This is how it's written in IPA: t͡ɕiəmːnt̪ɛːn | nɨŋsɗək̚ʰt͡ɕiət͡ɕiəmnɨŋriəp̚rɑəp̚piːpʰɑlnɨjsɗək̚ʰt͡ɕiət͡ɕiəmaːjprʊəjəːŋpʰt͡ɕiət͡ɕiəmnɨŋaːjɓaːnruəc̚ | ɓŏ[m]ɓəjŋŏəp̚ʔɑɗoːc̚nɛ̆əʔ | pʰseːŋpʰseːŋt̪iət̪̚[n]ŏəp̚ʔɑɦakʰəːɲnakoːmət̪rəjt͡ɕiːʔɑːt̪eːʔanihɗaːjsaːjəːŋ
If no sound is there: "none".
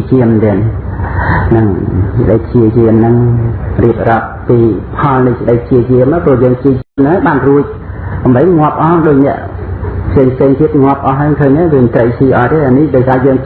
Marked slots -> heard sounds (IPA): m, ŋ

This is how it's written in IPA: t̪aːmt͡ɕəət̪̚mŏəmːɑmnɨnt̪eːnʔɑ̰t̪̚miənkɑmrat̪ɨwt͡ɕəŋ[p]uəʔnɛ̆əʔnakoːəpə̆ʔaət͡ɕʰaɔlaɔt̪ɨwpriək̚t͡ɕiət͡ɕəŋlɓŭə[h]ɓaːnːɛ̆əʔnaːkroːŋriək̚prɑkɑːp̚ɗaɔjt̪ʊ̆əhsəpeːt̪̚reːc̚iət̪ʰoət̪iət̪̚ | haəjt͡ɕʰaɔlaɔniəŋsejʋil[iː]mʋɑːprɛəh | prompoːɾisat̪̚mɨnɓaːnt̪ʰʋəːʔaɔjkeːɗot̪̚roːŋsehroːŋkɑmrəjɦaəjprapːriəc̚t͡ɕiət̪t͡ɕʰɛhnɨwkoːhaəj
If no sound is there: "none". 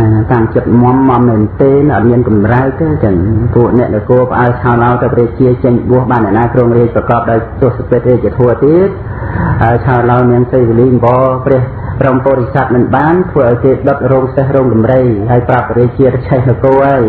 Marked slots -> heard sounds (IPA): p, h, iː

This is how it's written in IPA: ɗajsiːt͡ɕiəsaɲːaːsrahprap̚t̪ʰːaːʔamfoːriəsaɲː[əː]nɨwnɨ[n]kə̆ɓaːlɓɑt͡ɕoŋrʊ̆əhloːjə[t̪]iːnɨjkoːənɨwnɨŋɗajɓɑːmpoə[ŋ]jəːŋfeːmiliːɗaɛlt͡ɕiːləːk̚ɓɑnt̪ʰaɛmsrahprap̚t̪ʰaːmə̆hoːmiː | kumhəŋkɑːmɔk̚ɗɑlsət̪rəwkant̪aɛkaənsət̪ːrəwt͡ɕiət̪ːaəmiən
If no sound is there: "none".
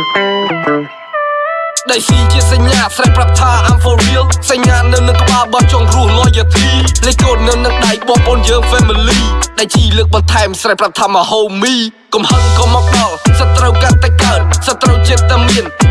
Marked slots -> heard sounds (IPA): aː, ŋ, t̪ʰ, n

